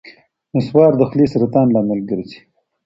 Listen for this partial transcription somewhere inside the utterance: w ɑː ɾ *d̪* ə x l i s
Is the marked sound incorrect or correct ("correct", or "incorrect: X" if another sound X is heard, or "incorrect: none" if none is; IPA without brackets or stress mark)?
correct